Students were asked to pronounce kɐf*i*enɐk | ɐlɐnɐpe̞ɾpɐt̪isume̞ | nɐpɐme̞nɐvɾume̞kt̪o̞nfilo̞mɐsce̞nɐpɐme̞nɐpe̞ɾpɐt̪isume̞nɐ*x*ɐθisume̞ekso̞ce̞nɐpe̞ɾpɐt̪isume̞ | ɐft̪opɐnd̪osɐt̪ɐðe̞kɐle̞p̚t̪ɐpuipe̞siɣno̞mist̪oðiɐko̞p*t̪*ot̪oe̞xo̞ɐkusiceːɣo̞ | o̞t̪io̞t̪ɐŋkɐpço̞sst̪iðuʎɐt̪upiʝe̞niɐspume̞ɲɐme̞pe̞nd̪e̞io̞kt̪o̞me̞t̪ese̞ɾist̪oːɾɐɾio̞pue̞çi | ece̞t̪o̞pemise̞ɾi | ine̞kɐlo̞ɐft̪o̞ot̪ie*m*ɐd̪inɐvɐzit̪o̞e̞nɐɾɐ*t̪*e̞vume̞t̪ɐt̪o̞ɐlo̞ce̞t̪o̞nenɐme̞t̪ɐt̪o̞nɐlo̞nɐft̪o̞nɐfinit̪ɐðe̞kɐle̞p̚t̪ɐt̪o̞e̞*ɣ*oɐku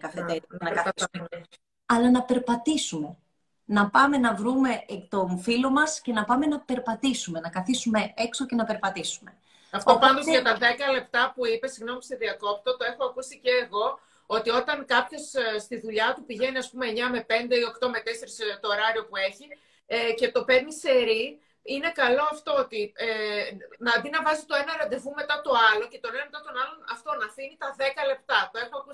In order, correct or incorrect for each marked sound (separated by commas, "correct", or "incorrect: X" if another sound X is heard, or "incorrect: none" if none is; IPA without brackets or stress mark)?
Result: incorrect: e, incorrect: k, correct, incorrect: n, incorrect: d̪, incorrect: x